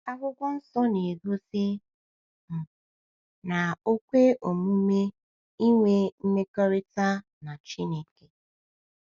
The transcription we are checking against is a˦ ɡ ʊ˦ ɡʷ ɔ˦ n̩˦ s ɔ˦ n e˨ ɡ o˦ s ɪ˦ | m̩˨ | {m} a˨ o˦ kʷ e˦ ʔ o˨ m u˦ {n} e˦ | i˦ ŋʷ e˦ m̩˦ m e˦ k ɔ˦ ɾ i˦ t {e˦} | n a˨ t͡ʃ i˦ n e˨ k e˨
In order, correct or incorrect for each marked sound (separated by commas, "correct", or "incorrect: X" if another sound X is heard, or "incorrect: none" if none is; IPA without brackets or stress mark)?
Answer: incorrect: n, incorrect: m, incorrect: a˦